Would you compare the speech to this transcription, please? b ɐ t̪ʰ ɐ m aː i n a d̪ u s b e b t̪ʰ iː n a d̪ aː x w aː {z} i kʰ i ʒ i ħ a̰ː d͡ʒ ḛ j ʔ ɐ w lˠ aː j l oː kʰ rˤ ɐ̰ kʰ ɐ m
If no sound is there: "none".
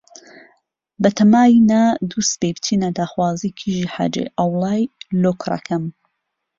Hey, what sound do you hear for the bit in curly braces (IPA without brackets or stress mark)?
z